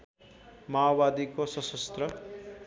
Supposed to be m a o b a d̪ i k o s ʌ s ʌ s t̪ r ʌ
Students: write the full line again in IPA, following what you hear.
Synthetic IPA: m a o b a d̪ i k o s ʌ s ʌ s t̪ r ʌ